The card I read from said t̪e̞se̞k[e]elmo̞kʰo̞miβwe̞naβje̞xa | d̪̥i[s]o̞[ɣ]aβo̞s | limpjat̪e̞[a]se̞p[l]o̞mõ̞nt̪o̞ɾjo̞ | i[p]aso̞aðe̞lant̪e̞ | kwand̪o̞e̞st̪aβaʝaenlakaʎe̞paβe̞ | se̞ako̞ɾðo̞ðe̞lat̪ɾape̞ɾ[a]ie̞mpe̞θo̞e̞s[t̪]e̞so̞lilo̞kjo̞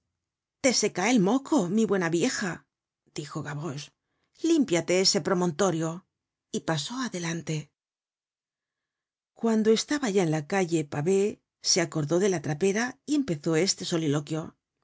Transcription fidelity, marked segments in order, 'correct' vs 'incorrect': incorrect: a, incorrect: x, correct, incorrect: e, incorrect: ɾ, correct, correct, correct

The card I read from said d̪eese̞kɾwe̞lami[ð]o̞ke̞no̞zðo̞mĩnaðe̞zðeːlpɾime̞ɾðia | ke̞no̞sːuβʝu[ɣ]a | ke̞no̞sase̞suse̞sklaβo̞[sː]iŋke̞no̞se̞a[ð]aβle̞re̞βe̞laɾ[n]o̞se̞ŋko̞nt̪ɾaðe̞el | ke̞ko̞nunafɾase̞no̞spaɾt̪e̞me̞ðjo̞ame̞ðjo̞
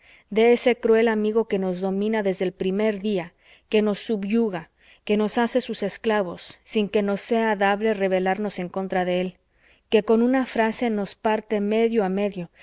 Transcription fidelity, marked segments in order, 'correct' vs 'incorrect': incorrect: ɣ, correct, correct, correct, correct

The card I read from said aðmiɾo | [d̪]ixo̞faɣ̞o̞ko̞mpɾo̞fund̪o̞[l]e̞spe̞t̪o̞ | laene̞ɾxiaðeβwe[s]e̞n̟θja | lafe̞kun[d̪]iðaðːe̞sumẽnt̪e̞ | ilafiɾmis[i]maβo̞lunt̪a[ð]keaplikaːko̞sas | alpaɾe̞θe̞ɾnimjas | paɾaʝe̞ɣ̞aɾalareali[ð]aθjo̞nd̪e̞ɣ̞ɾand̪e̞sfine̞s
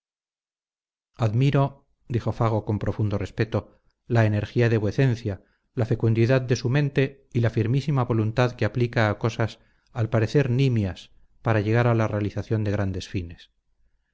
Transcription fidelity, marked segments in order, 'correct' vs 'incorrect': correct, incorrect: r, incorrect: θ, correct, correct, correct, incorrect: θ

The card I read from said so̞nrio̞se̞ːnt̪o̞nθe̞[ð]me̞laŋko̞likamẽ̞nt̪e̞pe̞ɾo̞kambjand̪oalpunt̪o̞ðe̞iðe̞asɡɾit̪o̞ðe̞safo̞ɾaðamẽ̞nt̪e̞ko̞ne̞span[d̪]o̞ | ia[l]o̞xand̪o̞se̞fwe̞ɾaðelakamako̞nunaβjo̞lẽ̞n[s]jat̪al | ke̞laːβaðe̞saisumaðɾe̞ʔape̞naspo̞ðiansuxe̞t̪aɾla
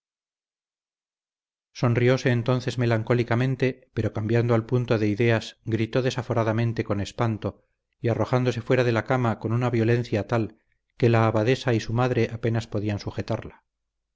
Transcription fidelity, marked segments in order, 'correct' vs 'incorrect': incorrect: z, incorrect: t̪, incorrect: r, incorrect: θ

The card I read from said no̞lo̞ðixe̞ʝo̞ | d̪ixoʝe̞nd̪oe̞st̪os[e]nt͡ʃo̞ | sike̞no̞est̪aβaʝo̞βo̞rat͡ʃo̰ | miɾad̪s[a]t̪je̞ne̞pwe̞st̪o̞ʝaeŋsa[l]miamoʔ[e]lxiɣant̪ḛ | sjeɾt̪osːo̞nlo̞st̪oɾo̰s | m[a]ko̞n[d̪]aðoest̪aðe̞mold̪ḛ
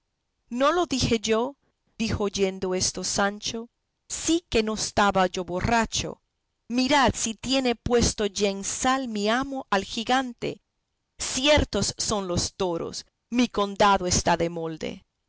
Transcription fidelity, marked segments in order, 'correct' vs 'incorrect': incorrect: a, incorrect: i, correct, incorrect: a, incorrect: i, correct

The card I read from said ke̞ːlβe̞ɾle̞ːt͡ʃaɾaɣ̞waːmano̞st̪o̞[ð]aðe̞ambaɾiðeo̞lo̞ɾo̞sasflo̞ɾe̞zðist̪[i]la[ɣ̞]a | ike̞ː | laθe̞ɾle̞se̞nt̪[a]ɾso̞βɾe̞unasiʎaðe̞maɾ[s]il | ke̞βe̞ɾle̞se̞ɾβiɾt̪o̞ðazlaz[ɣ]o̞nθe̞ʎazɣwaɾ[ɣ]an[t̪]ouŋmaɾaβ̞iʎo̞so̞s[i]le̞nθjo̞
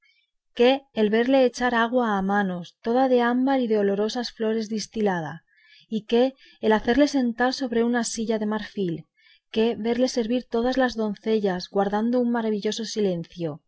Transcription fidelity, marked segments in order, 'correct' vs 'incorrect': correct, correct, incorrect: ð̞, correct, incorrect: f, incorrect: ð, incorrect: ð, incorrect: d̪, correct

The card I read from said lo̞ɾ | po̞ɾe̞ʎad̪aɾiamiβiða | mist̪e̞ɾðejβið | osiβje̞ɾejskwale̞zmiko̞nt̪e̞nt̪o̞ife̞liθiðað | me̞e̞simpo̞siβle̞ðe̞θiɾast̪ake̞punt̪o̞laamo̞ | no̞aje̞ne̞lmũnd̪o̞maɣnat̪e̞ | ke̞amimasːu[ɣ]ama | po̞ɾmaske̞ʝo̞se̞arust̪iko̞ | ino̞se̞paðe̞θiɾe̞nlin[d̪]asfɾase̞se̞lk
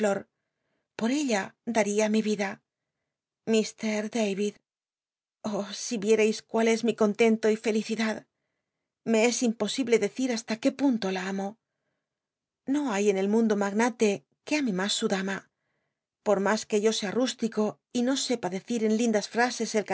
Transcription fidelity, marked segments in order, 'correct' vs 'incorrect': incorrect: ð, correct

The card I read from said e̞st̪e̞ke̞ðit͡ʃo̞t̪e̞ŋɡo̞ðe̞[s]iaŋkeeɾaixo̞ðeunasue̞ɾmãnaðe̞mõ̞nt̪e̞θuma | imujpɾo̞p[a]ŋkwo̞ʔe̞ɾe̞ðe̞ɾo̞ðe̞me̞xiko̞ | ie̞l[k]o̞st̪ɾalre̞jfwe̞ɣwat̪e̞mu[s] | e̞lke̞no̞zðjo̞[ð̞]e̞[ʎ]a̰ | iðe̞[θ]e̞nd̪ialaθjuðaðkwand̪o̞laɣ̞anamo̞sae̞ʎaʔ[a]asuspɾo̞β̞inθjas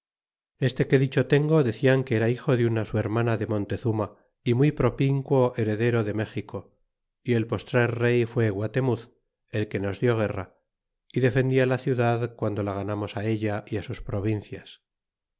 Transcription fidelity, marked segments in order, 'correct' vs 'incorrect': incorrect: θ, incorrect: i, incorrect: p, incorrect: θ, incorrect: ɣ̞, incorrect: r, incorrect: f, incorrect: i

